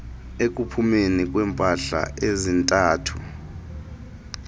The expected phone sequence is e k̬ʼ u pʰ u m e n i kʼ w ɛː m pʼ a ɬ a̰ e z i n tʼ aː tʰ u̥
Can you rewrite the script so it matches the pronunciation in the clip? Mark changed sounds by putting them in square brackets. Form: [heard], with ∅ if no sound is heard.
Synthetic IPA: e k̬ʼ u pʰ u m e n i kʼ w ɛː m pʼ a ɬ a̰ e z i n tʼ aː tʰ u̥